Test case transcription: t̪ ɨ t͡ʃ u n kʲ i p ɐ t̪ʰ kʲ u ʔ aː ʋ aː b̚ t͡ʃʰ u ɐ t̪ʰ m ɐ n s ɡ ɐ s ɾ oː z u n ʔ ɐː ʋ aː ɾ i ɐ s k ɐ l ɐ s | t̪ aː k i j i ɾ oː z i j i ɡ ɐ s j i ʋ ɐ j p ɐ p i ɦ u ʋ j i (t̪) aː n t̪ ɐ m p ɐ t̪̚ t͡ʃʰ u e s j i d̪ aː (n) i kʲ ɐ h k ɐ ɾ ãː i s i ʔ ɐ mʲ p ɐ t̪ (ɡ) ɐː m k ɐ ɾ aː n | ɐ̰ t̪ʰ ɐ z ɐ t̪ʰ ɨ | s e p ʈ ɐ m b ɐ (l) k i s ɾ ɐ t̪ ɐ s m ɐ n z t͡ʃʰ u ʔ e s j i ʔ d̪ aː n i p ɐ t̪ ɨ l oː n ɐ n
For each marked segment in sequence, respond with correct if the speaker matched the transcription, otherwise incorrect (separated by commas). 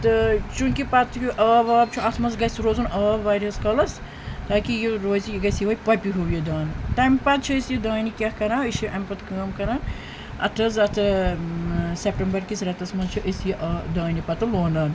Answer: incorrect, correct, incorrect, incorrect